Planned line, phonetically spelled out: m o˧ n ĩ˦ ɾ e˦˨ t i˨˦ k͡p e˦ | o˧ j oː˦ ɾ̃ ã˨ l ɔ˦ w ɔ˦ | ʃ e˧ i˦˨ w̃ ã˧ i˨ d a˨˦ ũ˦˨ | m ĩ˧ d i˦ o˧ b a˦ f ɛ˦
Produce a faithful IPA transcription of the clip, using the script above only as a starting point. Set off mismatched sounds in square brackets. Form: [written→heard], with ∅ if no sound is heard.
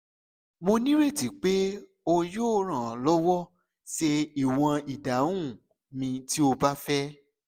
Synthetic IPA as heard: m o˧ n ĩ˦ ɾ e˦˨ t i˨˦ k͡p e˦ | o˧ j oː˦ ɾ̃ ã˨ l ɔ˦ w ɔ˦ | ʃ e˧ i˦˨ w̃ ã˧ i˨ d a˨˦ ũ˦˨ | m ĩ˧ [d→t] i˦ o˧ b a˦ f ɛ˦